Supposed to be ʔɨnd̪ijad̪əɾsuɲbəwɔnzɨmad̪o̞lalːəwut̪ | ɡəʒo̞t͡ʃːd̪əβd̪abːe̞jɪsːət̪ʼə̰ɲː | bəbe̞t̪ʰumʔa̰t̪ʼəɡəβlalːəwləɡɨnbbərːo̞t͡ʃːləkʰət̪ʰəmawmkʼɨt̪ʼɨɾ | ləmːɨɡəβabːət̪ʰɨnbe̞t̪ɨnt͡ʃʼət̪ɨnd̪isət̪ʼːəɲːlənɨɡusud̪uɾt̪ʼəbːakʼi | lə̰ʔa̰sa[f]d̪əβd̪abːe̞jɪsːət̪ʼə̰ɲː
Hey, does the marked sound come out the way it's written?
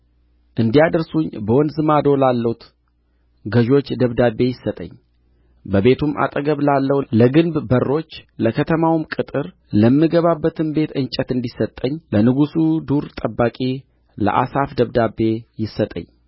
yes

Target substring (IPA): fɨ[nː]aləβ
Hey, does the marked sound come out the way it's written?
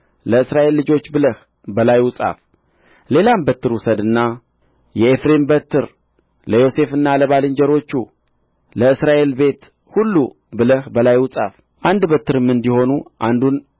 yes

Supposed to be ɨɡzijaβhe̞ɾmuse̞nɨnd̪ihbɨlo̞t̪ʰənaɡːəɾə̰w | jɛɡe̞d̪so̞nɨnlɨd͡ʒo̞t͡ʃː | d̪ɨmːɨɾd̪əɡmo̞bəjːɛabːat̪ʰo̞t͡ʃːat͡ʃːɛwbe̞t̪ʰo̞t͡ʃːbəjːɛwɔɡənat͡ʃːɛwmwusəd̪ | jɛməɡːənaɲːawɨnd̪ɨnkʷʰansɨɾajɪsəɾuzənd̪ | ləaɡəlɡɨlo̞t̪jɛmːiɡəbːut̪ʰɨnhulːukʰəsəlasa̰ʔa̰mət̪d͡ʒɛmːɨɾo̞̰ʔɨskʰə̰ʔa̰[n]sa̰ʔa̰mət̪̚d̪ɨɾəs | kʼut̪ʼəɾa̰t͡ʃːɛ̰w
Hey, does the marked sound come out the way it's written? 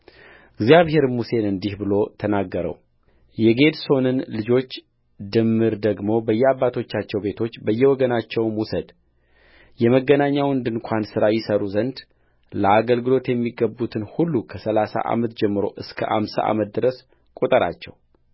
no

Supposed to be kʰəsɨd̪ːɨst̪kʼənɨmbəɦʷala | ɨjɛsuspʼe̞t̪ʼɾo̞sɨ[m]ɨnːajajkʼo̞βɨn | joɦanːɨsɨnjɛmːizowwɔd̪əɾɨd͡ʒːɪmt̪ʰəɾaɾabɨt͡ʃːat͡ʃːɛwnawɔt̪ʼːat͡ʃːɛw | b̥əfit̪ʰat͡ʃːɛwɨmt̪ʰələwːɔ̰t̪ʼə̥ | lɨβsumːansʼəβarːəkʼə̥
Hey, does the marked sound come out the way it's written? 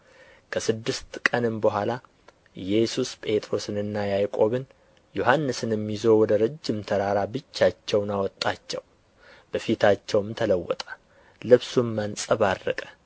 no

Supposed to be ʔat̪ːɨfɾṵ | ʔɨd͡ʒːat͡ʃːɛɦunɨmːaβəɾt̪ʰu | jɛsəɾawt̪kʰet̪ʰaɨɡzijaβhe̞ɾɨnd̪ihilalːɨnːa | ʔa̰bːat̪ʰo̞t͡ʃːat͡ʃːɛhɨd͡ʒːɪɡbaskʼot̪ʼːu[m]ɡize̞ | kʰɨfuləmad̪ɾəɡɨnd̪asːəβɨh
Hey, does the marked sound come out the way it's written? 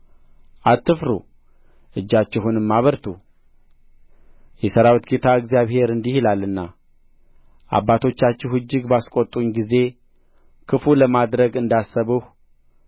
no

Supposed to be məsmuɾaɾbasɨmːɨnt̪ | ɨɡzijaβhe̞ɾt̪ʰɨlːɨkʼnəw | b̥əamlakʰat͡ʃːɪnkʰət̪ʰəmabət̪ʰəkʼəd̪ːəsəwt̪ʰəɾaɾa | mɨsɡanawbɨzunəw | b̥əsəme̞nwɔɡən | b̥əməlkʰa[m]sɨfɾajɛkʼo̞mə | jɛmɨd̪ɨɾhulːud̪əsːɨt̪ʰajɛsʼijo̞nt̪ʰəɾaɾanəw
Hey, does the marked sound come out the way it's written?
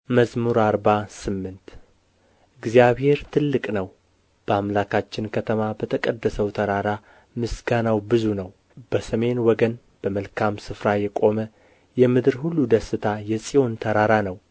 yes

